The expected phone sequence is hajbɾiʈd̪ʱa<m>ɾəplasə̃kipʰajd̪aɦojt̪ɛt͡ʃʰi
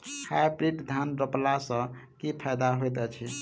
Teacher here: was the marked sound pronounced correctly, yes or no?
no